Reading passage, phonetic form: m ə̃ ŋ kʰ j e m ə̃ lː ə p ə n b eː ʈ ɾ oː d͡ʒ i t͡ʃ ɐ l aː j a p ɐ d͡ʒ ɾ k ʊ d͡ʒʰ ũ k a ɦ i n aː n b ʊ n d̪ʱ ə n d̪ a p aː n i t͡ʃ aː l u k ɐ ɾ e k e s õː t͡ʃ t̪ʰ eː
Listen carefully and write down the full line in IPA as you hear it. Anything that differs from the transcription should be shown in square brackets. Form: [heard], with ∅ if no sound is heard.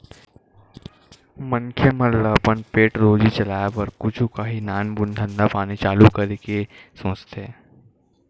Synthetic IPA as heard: m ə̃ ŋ kʰ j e m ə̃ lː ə p ə n [p] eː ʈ ɾ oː d͡ʒ i t͡ʃ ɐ l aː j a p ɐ [∅] ɾ k ʊ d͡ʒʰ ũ k a ɦ i n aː n b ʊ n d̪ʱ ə n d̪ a p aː n i t͡ʃ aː l u k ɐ ɾ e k e s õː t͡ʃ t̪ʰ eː